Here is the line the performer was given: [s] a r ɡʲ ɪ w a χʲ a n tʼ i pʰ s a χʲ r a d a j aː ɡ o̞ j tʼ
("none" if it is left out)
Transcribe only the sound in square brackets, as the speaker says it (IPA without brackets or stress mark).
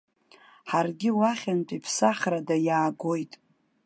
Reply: ħ